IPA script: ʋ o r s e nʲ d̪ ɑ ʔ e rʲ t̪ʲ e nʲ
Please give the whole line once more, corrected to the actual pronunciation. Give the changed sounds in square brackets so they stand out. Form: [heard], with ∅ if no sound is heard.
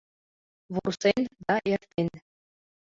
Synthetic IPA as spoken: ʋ [u] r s e nʲ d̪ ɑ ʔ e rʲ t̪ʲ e nʲ